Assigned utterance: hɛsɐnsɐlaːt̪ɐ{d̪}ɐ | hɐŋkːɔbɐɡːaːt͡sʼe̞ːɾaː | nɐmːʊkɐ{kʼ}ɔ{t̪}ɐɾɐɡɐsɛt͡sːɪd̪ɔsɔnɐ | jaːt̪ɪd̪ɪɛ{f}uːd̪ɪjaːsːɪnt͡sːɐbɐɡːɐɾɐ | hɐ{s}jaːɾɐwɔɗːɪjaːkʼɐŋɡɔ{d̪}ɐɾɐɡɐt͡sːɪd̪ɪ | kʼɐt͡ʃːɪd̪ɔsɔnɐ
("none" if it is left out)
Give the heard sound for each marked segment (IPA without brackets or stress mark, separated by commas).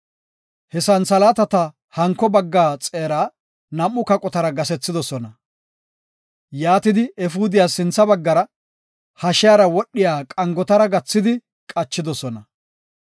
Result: t̪, kʼ, t̪, f, ʃ, t̪